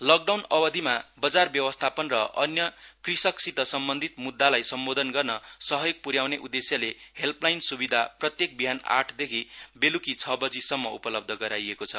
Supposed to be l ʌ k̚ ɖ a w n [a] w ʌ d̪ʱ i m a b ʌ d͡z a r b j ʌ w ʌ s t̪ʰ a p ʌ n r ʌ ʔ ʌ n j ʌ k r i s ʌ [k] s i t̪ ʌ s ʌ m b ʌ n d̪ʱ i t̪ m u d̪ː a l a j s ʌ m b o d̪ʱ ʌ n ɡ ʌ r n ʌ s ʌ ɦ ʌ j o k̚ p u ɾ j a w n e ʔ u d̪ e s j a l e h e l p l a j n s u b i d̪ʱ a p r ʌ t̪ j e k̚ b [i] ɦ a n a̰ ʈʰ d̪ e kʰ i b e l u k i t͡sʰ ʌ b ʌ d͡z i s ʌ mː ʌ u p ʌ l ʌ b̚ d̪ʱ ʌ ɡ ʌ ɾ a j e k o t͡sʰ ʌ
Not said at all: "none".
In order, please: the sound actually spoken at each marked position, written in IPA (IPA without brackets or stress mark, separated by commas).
ʌ, k, i